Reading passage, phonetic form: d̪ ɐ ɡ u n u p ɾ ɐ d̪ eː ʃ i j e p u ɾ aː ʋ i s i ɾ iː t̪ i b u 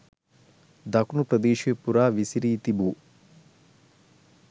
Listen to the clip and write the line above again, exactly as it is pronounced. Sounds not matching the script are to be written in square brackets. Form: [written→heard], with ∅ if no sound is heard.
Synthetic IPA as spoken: d̪ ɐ [ɡ→k] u n u p ɾ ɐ d̪ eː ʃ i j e p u ɾ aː ʋ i s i ɾ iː t̪ i b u